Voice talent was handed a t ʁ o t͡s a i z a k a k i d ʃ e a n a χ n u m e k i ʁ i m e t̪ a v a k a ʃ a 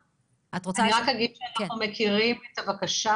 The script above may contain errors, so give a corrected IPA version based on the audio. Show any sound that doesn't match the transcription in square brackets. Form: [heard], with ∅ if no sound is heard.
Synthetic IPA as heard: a t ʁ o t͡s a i [ʁ] a k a [ɡ] i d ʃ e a n a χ n u m e k i ʁ i m e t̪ a v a k a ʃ a